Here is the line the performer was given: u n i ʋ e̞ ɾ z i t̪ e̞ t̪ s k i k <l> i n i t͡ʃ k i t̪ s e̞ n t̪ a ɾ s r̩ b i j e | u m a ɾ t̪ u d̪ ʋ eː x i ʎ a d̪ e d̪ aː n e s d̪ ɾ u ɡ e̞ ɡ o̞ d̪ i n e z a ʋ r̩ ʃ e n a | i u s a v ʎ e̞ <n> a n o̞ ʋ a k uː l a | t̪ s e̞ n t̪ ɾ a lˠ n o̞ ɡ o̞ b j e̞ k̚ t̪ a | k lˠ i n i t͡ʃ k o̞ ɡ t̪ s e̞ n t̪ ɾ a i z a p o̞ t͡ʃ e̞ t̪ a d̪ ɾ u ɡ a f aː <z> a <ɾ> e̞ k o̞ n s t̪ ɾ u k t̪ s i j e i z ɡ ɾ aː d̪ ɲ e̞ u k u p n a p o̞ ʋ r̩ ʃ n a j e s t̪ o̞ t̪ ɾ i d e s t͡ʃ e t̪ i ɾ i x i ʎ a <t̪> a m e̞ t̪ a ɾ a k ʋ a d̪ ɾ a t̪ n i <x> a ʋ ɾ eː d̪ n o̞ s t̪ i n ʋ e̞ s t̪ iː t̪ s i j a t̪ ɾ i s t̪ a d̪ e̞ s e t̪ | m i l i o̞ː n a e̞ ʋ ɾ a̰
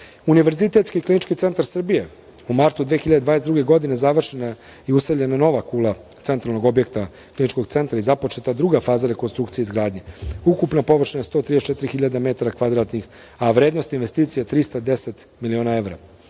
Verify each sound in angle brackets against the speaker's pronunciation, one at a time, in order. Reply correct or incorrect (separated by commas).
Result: correct, correct, correct, correct, incorrect, correct